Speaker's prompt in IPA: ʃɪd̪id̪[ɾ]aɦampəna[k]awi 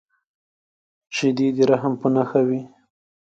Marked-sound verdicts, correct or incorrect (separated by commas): correct, incorrect